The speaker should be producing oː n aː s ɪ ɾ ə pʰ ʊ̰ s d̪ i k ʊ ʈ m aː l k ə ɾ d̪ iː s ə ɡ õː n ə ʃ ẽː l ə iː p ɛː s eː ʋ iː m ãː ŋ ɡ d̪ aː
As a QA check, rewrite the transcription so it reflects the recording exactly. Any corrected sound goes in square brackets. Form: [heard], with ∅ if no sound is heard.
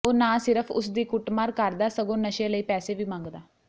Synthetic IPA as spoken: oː n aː s ɪ ɾ ə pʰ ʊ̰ s d̪ [iː] k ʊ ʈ m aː [ɾ] k ə ɾ d̪ [aː] s ə ɡ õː n ə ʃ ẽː l ə iː p ɛː s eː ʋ iː m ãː ŋ ɡ d̪ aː